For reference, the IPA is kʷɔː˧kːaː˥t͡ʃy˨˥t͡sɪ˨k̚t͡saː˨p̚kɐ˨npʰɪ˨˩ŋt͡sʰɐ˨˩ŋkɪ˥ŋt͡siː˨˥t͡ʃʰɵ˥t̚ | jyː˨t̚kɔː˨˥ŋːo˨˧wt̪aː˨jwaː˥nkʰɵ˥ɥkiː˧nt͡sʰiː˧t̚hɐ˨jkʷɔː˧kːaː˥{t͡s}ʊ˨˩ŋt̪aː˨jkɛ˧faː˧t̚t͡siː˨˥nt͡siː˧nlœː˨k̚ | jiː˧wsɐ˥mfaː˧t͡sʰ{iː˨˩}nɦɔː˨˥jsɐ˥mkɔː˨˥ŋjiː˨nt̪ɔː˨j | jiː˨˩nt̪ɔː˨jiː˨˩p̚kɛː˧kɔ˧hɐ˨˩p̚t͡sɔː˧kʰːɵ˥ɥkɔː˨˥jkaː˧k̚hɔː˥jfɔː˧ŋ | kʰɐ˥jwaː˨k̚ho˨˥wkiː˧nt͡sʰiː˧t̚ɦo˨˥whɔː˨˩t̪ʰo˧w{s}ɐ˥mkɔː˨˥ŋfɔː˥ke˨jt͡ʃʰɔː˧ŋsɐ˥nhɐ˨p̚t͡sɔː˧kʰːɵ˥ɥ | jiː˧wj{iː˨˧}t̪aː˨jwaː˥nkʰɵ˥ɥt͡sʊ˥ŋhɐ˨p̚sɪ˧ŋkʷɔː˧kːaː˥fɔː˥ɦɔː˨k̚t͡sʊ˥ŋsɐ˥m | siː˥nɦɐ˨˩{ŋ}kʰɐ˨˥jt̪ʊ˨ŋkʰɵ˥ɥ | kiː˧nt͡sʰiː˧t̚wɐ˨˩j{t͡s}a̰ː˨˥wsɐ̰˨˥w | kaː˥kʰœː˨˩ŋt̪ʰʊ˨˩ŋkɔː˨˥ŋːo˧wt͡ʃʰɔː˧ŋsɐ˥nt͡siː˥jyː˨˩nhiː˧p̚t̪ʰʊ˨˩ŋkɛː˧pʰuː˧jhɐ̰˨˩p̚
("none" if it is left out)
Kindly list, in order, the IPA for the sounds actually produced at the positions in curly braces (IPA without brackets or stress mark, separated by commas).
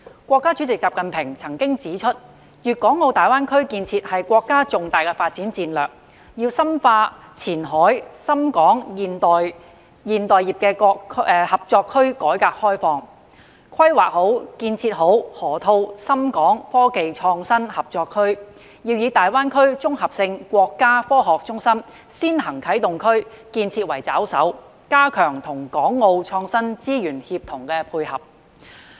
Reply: t͡s, iː˨˩, s, iː˨˧, ŋ, t͡s